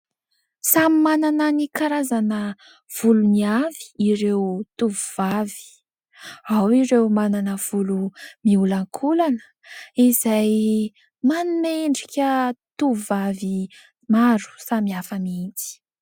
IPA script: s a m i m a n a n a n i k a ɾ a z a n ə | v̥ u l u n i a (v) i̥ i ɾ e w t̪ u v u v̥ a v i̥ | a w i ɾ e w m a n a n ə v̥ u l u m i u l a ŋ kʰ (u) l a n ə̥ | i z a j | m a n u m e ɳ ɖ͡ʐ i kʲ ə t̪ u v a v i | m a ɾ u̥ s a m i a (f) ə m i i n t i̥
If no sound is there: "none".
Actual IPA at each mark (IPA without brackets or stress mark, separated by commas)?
v, u, f